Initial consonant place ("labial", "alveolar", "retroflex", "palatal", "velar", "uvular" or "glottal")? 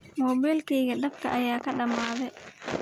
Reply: labial